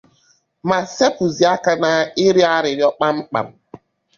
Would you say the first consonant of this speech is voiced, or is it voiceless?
voiced